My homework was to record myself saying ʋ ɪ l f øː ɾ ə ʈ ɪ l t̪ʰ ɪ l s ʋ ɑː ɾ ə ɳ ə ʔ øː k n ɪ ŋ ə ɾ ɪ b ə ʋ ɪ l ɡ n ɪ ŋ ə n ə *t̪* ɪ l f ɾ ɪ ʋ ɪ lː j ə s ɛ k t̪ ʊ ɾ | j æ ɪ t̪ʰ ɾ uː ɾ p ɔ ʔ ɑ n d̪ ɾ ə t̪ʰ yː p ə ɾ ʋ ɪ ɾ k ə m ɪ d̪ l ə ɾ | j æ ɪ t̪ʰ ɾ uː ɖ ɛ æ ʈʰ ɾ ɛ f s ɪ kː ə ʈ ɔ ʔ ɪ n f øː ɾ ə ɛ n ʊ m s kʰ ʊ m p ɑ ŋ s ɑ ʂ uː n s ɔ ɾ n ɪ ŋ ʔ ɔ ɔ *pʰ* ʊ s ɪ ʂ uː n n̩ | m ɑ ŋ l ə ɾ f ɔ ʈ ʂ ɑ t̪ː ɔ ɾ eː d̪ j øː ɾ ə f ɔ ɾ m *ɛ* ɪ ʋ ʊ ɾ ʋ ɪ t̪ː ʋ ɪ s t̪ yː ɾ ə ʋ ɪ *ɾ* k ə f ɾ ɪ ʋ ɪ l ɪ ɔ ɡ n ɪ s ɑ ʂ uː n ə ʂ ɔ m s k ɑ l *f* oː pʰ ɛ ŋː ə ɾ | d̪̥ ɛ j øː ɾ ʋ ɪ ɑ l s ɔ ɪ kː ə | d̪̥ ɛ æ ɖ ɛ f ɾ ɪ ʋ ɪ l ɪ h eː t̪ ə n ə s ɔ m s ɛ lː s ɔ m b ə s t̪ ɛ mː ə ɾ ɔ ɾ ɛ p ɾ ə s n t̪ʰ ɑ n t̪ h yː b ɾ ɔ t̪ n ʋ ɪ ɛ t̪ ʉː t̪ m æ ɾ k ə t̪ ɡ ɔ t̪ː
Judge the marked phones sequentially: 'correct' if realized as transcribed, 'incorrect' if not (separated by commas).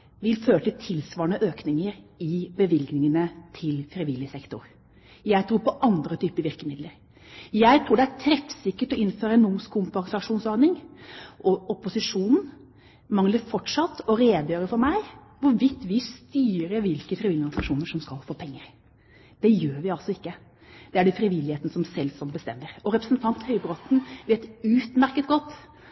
incorrect, incorrect, incorrect, incorrect, correct